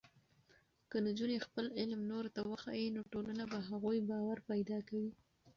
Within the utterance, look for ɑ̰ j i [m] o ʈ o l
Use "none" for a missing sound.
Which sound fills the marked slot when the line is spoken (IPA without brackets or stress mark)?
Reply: n